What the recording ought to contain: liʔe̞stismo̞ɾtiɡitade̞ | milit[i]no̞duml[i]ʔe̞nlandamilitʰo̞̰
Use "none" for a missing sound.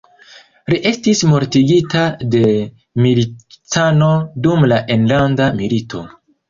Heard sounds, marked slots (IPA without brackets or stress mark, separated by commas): a, a